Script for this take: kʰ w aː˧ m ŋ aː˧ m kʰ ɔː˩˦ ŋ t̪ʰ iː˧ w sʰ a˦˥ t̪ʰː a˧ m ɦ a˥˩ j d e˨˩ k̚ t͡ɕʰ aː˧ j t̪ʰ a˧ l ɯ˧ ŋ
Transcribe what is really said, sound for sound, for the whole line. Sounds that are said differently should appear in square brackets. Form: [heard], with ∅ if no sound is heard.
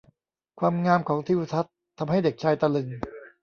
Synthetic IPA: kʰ w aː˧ m ŋ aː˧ m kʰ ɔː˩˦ ŋ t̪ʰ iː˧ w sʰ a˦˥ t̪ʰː a˧ m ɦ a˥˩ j d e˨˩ k̚ t͡ɕʰ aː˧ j [t̪] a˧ l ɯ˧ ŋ